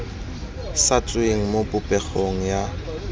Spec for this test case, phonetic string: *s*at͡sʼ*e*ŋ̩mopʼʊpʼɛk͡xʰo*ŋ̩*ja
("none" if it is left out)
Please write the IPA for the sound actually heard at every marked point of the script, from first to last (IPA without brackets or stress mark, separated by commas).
s, e, ŋ̩